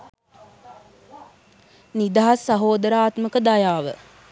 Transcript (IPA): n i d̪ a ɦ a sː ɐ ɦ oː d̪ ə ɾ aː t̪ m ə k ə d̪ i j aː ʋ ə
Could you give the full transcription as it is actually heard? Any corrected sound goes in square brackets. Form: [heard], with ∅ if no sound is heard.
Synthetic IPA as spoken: n i d̪ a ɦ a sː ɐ ɦ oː d̪ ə ɾ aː t̪ m ə k ə d̪ [a] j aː ʋ ə